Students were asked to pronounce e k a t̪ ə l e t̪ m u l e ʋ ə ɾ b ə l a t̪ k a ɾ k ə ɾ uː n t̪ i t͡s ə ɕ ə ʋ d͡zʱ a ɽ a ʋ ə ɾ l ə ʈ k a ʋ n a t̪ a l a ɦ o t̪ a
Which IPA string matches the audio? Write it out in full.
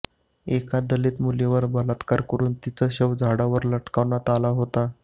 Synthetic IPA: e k a d̪ ə l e t̪ m u l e ʋ ə ɾ b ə l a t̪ k a ɾ k ə ɾ uː n t̪ i t͡s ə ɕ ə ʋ d͡zʱ a ɽ a ʋ ə ɾ l ə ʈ k a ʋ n a t̪ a l a ɦ o t̪ a